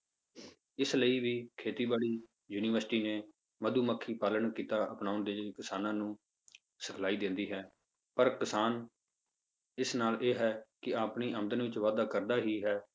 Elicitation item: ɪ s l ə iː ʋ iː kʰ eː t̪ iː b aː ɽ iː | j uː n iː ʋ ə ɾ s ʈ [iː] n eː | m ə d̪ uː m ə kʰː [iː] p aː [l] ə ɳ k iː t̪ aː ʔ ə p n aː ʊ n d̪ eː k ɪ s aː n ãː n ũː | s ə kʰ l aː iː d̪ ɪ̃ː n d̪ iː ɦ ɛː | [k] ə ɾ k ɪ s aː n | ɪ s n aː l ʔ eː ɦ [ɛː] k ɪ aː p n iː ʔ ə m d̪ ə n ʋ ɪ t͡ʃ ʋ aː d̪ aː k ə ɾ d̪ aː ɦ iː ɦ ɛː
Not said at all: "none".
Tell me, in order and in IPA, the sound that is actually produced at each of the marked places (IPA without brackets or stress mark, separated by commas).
iː, iː, l, p, ɛː